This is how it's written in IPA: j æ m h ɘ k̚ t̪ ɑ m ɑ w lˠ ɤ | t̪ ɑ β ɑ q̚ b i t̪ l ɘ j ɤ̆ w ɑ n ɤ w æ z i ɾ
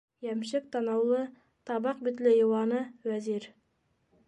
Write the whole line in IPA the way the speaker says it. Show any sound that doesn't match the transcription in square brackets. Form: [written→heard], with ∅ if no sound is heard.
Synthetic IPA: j æ m [h→ʃ] ɘ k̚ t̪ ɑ [m→n] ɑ w lˠ ɤ | t̪ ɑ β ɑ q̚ b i t̪ l ɘ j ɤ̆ w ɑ n ɤ w æ z i ɾ